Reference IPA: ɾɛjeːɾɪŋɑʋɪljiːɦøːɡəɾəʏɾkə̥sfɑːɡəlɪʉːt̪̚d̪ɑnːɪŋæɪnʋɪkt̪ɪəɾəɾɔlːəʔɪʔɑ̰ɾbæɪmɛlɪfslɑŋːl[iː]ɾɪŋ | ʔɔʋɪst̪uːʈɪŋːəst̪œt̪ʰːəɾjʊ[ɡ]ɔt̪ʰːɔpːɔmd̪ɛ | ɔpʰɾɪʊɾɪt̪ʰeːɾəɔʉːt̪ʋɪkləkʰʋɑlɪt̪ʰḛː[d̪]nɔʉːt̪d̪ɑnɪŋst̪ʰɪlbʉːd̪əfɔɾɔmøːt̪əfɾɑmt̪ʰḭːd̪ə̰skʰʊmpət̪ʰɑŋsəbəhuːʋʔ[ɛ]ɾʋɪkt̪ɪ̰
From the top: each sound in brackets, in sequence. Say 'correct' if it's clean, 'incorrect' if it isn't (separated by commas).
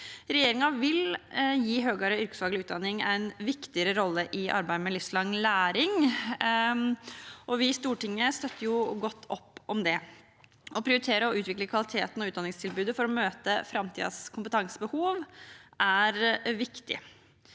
incorrect, correct, incorrect, incorrect